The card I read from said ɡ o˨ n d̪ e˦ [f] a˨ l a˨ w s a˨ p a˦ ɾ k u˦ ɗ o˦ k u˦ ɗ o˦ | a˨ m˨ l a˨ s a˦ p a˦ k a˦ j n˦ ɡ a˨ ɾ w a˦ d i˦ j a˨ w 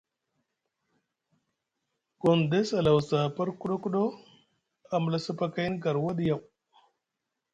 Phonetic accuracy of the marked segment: incorrect: s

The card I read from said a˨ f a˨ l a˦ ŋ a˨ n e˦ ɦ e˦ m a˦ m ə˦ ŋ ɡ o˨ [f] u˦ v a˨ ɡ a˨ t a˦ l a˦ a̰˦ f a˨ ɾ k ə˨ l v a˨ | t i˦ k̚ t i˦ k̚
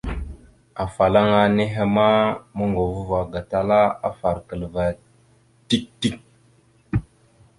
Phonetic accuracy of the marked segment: incorrect: v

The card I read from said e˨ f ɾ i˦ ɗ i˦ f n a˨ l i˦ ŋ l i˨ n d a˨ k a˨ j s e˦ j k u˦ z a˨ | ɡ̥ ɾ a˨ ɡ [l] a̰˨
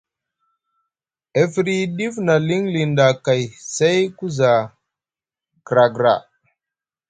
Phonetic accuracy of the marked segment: incorrect: ɾ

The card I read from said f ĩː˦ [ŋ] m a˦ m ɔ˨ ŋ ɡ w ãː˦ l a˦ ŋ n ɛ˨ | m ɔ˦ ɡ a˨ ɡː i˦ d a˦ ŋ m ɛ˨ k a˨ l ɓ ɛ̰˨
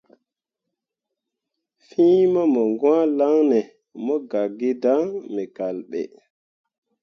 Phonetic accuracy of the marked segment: incorrect: none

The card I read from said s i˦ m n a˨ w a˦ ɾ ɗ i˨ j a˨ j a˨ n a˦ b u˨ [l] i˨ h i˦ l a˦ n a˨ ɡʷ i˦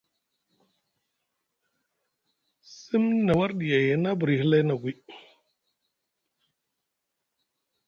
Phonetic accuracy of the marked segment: incorrect: ɾ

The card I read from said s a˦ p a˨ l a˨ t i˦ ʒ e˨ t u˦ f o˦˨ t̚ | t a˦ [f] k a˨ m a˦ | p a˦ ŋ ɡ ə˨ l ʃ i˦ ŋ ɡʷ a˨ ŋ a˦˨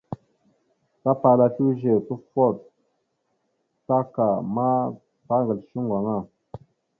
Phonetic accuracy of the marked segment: incorrect: none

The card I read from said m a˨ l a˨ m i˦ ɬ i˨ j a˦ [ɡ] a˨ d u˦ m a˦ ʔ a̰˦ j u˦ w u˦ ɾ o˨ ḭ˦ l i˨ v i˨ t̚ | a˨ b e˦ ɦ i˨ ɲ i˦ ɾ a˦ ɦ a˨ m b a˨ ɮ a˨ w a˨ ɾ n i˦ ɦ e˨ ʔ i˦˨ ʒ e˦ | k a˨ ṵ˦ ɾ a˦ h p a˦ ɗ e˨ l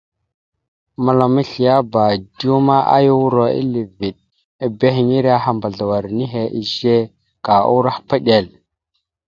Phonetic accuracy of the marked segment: incorrect: b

